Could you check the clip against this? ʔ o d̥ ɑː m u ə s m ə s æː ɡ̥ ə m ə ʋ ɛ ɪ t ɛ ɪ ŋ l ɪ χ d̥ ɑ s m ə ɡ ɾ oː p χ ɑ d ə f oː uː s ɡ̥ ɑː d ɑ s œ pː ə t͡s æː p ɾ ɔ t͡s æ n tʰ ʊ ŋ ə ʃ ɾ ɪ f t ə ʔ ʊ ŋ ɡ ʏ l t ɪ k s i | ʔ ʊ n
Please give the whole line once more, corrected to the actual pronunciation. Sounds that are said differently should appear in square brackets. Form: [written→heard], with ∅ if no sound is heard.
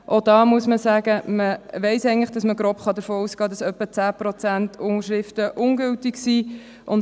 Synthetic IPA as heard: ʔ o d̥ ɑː m u ə s m ə s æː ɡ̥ ə m ə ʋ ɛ ɪ [t→s] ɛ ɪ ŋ l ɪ χ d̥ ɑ s m ə ɡ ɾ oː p χ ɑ d ə f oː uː s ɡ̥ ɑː d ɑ s œ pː ə t͡s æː p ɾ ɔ t͡s æ n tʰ ʊ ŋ ə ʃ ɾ ɪ f t ə ʔ ʊ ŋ ɡ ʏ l t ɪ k s i | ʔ ʊ n